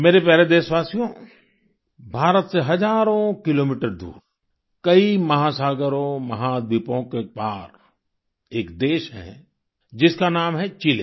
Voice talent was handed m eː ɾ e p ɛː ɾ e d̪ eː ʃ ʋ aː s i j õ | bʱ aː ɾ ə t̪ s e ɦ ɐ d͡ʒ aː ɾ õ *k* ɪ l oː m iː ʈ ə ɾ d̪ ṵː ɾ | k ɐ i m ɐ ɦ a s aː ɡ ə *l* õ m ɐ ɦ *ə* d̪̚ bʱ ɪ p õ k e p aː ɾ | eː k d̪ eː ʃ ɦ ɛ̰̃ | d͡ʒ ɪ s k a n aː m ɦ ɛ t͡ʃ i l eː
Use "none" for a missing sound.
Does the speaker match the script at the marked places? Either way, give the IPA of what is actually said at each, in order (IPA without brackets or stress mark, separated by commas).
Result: k, ɾ, a